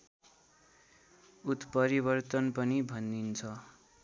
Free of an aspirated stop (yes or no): no